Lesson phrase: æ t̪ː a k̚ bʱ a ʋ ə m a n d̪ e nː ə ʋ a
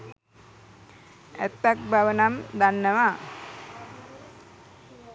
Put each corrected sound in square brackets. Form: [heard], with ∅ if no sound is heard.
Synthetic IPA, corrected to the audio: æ t̪ː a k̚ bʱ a ʋ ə [n] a [m] d̪ [a] nː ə ʋ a